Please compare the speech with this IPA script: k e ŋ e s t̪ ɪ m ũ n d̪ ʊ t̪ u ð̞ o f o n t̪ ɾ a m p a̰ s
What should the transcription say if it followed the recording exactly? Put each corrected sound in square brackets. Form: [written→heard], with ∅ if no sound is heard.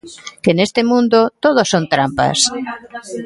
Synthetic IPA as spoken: k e [ŋ→n] e s t̪ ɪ m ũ n d̪ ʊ t̪ [u→o] ð̞ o [f→s] o n t̪ ɾ a m p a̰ s